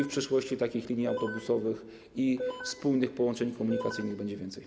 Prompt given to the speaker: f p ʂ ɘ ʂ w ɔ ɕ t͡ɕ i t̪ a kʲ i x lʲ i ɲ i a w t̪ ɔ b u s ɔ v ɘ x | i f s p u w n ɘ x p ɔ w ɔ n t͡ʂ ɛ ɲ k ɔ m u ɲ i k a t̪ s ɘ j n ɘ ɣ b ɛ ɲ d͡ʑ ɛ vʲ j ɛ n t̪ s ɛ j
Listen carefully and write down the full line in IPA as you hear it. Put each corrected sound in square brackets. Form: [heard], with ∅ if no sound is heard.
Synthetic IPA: f p ʂ ɘ ʂ w ɔ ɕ t͡ɕ i t̪ a kʲ i x lʲ i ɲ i a w t̪ ɔ b u s ɔ v ɘ x | i f s p u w n ɘ x p ɔ w ɔ n t͡ʂ ɛ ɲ k ɔ m u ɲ i k a t̪ s ɘ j n ɘ ɣ b ɛ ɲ d͡ʑ ɛ vʲ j ɛ n t̪ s ɛ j

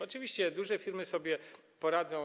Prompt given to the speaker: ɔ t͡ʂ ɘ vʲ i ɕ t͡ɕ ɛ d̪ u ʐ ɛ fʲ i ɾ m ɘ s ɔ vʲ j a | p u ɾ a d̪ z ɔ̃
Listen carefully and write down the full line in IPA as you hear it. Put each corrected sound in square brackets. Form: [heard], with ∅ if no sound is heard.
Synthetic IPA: ɔ t͡ʂ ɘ vʲ i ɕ t͡ɕ ɛ d̪ u ʐ ɛ fʲ i ɾ m ɘ s ɔ [bʲ] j [ɛ] | p [ɔ] ɾ a d̪ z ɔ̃

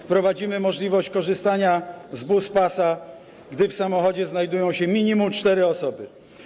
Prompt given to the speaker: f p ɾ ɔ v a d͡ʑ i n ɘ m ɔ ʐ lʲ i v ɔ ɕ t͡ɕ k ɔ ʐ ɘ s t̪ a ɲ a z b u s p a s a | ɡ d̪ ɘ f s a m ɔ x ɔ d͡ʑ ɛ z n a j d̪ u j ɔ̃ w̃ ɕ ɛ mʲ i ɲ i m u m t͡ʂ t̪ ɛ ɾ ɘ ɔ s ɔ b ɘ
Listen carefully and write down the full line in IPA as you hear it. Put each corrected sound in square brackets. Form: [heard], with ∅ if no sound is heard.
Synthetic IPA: f p ɾ ɔ v a d͡ʑ i [m] ɘ m ɔ ʐ lʲ i v ɔ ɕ t͡ɕ k ɔ ʐ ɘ s t̪ a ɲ a z b u s p a s a | ɡ d̪ ɘ f s a m ɔ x ɔ d͡ʑ ɛ z n a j d̪ u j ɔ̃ w̃ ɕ ɛ mʲ i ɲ i m u m t͡ʂ t̪ ɛ ɾ ɘ ɔ s ɔ b ɘ

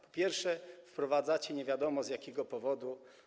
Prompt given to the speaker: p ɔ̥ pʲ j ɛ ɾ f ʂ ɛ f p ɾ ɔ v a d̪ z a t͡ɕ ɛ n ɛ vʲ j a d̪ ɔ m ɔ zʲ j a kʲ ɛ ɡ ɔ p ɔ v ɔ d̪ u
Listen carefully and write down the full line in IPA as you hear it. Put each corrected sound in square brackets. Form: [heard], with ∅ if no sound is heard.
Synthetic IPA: p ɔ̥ pʲ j ɛ ɾ f ʂ ɛ f p ɾ ɔ v a d̪ z a t͡ɕ ɛ [ɲ] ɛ vʲ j a d̪ ɔ m ɔ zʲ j a kʲ ɛ ɡ ɔ p ɔ v ɔ d̪ u

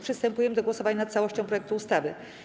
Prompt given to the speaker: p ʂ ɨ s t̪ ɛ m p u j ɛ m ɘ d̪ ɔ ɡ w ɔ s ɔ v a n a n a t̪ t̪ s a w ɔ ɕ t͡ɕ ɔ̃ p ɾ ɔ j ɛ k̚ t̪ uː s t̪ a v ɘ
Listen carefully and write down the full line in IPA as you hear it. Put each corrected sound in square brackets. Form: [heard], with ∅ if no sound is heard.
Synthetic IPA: p ʂ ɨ s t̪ ɛ m p u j ɛ m ɘ d̪ ɔ ɡ w ɔ s ɔ v a [ɲ] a n a t̪ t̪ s a w ɔ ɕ t͡ɕ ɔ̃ p ɾ ɔ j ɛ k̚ t̪ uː s t̪ a v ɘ

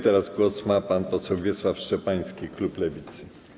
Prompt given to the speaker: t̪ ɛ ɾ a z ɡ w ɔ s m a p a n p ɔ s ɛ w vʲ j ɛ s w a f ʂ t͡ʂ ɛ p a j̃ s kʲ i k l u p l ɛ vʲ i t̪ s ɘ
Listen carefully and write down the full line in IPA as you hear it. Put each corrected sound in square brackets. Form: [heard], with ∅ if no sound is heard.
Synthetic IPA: t̪ ɛ ɾ a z ɡ w ɔ s m a p a n p ɔ s ɛ w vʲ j ɛ s w a f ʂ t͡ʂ ɛ p a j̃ s kʲ i k l u p l ɛ vʲ i t̪ s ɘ

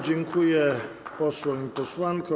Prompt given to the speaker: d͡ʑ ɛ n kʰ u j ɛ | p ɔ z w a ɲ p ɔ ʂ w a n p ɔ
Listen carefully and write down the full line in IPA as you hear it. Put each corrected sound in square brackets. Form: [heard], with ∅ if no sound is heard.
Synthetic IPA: d͡ʑ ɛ [ŋ] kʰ u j ɛ | p ɔ [s] w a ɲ p ɔ [s] w a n [k] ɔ

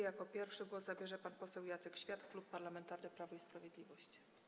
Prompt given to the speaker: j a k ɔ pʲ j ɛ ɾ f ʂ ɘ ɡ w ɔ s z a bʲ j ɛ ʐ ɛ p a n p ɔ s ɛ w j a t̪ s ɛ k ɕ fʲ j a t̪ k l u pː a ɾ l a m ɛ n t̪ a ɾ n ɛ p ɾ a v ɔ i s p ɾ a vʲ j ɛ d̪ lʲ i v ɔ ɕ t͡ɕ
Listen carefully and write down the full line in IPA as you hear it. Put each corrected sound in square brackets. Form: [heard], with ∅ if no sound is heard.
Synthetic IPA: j a k ɔ pʲ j ɛ ɾ f ʂ ɘ ɡ w ɔ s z a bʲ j ɛ ʐ ɛ p a n p ɔ s ɛ w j a t̪ s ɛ k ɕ fʲ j a t̪ k l u pː a ɾ l a m ɛ n t̪ a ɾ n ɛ p ɾ a v ɔ i s p ɾ a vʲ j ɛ d̪ lʲ i v ɔ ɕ t͡ɕ

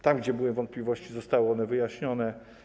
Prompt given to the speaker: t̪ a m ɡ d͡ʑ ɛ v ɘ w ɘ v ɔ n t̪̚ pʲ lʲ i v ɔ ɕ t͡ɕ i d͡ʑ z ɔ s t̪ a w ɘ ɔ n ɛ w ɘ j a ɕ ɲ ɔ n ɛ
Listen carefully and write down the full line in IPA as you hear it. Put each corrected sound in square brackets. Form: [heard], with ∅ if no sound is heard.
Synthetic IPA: t̪ a m ɡ d͡ʑ ɛ [b] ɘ w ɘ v ɔ n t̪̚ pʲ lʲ i v ɔ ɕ t͡ɕ i [∅] z ɔ s t̪ a w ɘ ɔ n ɛ [v] ɘ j a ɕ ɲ ɔ n ɛ

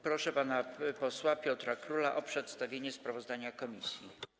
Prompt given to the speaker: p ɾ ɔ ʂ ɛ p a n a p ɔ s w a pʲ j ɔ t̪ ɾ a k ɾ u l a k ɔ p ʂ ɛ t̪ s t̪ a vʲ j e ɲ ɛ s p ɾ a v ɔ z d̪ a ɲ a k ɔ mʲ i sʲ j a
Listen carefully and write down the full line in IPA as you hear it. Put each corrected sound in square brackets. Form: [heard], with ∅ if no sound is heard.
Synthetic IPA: p ɾ ɔ ʂ ɛ p a n a p ɔ s w a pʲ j ɔ t̪ ɾ a k ɾ u l a [ʔ] ɔ p ʂ ɛ t̪ s t̪ a vʲ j e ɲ ɛ s p ɾ a v ɔ z d̪ a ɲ a k ɔ mʲ i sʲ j [i]

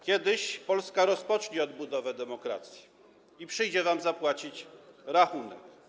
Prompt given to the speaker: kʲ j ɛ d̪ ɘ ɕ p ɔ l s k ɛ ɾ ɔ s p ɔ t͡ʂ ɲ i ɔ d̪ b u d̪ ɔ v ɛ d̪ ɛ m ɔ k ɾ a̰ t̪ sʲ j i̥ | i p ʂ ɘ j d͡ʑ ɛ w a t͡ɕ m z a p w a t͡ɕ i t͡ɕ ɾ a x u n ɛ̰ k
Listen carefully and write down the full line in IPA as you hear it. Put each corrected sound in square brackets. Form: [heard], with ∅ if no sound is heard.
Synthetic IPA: kʲ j ɛ d̪ ɘ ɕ p ɔ l s k [a] ɾ ɔ s p ɔ t͡ʂ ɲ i ɔ d̪ b u d̪ ɔ v ɛ d̪ ɛ m ɔ k ɾ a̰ t̪ sʲ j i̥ | i p ʂ ɘ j d͡ʑ ɛ [v] a [∅] m z a p w a t͡ɕ i t͡ɕ ɾ a x u n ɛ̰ k

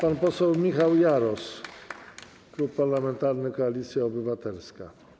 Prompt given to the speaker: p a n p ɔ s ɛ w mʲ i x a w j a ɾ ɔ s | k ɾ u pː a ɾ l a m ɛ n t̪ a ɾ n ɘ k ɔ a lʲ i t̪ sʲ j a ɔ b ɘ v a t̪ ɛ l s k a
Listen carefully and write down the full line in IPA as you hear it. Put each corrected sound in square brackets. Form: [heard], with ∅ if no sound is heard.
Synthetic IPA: p a n p ɔ s ɛ w mʲ i x a w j a ɾ ɔ s | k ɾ u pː a ɾ l a m ɛ n t̪ a ɾ n ɘ k ɔ a lʲ i t̪ sʲ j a ɔ b ɘ v a t̪ ɛ l s k a

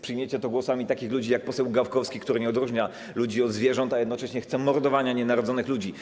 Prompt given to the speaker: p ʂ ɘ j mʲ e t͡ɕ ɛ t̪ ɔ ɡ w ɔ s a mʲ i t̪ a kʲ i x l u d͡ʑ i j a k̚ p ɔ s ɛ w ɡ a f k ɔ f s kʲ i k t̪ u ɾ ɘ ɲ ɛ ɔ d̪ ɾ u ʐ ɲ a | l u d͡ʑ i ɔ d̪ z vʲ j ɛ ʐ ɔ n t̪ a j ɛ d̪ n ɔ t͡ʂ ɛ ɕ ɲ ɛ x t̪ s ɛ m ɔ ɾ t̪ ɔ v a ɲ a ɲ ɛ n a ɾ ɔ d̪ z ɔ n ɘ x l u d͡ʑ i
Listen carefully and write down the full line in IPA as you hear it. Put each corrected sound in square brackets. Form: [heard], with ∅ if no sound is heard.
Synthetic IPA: p ʂ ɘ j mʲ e t͡ɕ ɛ t̪ ɔ ɡ w ɔ s a mʲ i t̪ a kʲ i x l u d͡ʑ i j a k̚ p ɔ s ɛ w ɡ a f k ɔ f s kʲ i k t̪ u ɾ ɘ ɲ ɛ ɔ d̪ ɾ u ʐ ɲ a | l u d͡ʑ i ɔ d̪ z vʲ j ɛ ʐ ɔ n t̪ a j ɛ d̪ n ɔ t͡ʂ ɛ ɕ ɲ ɛ x t̪ s ɛ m ɔ ɾ [d̪] ɔ v a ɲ a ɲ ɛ n a ɾ ɔ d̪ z ɔ n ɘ x l u d͡ʑ i

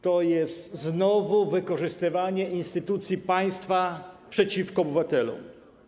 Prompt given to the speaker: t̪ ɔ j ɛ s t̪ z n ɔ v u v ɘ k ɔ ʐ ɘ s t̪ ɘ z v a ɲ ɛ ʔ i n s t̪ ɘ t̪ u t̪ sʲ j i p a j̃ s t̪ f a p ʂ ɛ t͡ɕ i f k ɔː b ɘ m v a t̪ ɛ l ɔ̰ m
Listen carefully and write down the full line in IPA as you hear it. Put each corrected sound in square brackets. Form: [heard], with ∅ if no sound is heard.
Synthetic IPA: t̪ ɔ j ɛ s t̪ z n ɔ v u v ɘ k ɔ ʐ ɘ s t̪ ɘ [∅] v a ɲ ɛ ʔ i n s t̪ ɘ t̪ u t̪ sʲ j i p a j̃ s t̪ f a p ʂ ɛ t͡ɕ i f k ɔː b ɘ [∅] v a t̪ ɛ l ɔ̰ m

